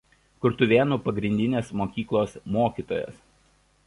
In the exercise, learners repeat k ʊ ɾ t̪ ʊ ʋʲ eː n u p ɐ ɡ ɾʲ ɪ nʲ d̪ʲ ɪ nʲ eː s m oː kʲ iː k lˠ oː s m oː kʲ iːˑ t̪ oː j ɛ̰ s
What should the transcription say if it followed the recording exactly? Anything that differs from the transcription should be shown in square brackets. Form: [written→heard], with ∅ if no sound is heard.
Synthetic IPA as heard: k ʊ ɾ t̪ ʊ ʋʲ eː n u p ɐ ɡ ɾʲ ɪ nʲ d̪ʲ ɪ nʲ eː s m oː kʲ iː k lˠ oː s m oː kʲ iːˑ t̪ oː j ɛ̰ s